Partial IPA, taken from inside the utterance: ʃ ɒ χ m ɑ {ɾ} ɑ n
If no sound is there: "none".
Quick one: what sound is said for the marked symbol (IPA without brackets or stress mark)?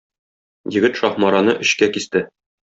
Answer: ɾ